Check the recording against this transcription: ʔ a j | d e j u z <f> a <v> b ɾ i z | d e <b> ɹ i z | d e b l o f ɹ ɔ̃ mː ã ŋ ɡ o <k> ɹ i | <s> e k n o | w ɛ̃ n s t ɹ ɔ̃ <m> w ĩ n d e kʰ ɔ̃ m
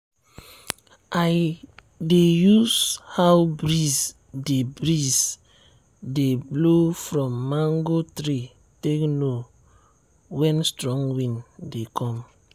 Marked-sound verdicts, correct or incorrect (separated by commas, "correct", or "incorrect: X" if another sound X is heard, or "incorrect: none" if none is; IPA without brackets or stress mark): incorrect: h, incorrect: w, correct, incorrect: t, incorrect: t, incorrect: ŋ